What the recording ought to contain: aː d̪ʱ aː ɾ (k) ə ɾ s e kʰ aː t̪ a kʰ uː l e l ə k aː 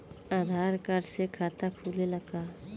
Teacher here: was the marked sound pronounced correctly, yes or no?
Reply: yes